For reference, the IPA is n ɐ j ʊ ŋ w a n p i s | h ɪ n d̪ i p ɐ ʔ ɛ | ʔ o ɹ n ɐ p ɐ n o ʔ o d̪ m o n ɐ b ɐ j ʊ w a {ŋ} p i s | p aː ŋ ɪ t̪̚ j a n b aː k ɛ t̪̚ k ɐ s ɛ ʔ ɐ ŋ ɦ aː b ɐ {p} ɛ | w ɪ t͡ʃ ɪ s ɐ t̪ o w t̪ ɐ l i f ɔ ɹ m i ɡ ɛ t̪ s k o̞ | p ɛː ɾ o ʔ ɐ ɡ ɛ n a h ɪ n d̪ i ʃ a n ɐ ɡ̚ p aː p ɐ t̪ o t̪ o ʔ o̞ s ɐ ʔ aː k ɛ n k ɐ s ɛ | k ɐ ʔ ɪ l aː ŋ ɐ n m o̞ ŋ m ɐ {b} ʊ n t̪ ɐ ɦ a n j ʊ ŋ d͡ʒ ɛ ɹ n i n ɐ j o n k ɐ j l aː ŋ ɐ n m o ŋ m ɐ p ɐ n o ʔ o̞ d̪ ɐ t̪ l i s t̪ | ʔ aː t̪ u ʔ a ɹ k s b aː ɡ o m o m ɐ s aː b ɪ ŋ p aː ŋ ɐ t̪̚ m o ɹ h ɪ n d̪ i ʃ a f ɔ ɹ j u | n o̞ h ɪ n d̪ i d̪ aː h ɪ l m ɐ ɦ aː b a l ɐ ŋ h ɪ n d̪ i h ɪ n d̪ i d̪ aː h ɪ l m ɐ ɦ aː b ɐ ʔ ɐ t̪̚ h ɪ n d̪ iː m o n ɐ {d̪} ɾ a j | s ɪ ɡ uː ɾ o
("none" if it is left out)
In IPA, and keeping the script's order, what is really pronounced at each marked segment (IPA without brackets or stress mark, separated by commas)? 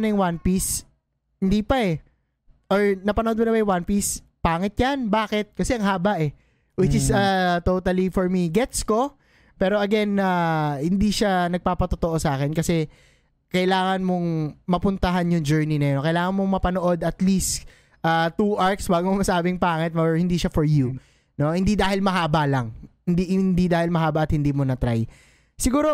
n, ʔ, p, t̪